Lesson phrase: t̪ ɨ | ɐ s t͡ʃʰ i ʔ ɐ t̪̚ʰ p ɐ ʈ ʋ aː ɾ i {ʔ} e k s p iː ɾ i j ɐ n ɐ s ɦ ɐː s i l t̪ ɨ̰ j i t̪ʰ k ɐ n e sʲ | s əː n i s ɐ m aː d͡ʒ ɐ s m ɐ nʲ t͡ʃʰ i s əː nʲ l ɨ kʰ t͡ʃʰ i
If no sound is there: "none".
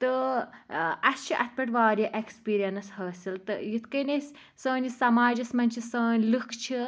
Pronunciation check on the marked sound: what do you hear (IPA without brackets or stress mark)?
ʔ